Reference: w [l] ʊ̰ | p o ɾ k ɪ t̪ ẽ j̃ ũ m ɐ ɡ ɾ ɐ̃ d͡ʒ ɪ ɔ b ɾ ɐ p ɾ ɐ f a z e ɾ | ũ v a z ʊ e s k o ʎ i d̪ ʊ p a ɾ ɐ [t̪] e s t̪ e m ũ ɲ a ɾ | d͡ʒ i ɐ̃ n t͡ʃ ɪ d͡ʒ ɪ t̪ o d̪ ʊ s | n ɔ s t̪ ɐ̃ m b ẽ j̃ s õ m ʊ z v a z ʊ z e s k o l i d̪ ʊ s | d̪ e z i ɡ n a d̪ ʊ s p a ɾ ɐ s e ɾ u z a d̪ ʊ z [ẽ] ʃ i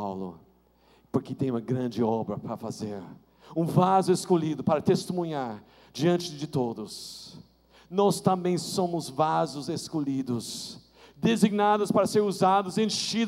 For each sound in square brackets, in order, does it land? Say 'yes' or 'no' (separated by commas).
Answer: yes, yes, yes